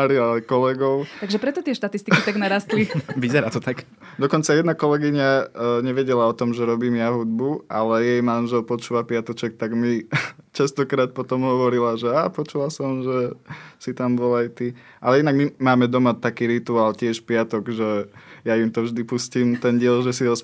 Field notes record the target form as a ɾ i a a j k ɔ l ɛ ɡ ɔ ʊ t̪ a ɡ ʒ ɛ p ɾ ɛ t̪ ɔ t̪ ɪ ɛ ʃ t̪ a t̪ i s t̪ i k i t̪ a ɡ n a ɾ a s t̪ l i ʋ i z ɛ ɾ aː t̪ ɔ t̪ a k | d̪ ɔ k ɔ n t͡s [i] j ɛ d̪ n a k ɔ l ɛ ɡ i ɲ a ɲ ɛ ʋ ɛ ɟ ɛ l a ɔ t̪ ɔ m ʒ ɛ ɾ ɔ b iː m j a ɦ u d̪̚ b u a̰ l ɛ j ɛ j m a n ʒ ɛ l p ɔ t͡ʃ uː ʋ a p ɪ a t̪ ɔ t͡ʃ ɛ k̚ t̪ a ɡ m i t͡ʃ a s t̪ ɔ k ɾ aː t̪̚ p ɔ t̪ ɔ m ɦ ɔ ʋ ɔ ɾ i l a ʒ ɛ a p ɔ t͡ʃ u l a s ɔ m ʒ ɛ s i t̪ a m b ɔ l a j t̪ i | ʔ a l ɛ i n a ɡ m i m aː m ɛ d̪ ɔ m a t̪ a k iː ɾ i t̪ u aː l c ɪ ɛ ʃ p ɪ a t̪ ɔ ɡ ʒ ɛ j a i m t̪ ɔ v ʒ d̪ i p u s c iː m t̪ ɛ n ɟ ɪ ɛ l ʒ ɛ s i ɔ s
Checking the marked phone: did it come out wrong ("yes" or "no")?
yes